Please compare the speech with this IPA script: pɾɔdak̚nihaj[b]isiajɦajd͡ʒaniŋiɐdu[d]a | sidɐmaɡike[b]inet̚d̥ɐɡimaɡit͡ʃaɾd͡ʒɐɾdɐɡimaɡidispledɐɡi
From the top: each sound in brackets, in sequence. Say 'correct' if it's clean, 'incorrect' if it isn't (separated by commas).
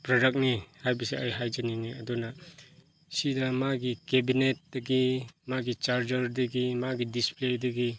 correct, incorrect, correct